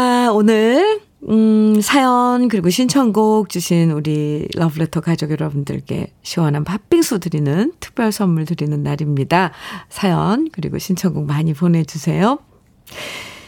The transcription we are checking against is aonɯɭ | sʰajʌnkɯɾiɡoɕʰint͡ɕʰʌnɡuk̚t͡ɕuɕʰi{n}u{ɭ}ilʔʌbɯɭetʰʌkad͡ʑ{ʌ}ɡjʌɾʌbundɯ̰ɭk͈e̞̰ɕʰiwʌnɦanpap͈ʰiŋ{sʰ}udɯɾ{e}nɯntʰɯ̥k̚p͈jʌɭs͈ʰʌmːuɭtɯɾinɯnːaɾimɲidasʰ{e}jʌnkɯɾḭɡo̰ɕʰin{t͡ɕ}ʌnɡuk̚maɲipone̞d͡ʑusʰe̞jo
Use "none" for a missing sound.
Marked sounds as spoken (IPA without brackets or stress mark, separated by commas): n, ɾ, ʌ, sʰ, i, a, t͡ɕʰ